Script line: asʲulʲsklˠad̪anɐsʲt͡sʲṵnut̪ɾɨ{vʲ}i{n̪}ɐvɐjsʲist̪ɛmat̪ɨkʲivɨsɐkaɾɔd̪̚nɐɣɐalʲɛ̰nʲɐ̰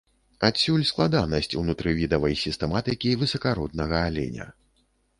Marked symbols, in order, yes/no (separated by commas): yes, no